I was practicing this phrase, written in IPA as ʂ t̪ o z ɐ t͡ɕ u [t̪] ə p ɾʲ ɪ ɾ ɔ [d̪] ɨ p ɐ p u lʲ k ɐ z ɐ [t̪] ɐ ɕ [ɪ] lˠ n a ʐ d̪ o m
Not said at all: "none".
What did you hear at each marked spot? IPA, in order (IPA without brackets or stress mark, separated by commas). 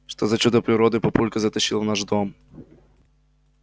d̪, d̪, t̪, i